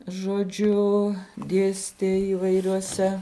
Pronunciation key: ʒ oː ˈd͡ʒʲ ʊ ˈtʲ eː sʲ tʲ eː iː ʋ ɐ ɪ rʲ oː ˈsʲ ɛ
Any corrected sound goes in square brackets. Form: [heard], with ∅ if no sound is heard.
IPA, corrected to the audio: ʒ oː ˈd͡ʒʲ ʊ [ˈdʲ] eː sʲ tʲ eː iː ʋ ɐ ɪ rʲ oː ˈsʲ ɛ